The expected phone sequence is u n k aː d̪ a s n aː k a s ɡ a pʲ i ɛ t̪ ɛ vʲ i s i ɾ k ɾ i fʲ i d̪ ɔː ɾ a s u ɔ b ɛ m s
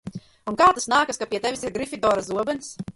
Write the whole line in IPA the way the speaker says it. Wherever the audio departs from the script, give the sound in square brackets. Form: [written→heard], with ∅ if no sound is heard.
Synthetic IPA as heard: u n k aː [d̪→t̪] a s n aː k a s [ɡ→k] a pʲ i ɛ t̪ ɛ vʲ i s i ɾ [k→ɡ] ɾ i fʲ i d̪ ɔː ɾ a [s→z] u ɔ b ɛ [m→n] s